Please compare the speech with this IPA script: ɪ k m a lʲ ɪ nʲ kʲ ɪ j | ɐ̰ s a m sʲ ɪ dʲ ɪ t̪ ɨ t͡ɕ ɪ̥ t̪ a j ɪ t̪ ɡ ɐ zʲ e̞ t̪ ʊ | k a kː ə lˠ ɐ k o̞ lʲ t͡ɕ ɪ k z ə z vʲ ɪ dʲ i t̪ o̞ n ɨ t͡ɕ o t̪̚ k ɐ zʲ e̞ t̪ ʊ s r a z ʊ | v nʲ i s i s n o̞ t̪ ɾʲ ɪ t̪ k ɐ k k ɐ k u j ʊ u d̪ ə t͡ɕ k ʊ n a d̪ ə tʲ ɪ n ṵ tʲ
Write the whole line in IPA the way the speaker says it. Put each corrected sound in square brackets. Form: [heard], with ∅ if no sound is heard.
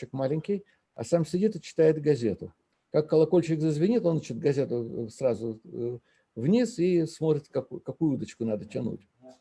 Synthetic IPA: ɪ k m a lʲ ɪ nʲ kʲ ɪ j | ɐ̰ s a m sʲ ɪ dʲ [i] t̪ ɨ t͡ɕ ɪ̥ t̪ a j ɪ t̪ ɡ ɐ zʲ e̞ t̪ ʊ | k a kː ə lˠ ɐ k o̞ lʲ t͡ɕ ɪ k z ə z vʲ ɪ [nʲ] i t̪ o̞ n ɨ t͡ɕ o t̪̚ [ɡ] ɐ zʲ e̞ t̪ ʊ s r a z ʊ | v nʲ i s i s [m] o̞ t̪ ɾʲ ɪ t̪ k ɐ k k ɐ k u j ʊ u d̪ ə t͡ɕ k ʊ n a d̪ ə tʲ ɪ n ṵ tʲ